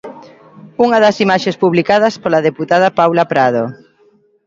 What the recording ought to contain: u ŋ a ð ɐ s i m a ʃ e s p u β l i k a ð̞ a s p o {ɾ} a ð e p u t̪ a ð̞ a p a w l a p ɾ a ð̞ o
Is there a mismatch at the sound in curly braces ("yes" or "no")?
yes